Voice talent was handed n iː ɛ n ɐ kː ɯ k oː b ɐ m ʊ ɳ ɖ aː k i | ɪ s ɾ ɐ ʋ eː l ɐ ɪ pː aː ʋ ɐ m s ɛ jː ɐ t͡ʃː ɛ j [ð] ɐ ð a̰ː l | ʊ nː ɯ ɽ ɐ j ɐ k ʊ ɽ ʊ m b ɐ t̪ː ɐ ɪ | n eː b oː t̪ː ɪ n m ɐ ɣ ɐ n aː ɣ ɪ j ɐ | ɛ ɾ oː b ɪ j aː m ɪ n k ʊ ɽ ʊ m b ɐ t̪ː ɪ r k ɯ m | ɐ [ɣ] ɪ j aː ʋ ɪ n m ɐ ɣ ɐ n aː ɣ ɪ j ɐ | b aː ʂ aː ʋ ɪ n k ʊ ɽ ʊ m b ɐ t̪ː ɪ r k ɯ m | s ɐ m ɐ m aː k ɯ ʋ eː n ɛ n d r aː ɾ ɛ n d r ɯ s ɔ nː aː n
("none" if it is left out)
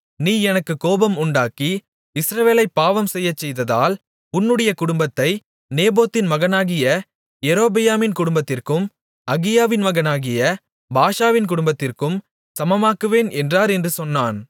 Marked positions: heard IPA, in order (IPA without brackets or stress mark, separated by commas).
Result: ð, ɣ